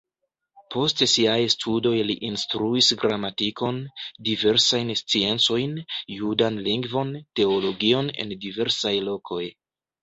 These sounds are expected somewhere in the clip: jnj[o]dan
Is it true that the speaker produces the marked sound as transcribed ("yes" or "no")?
no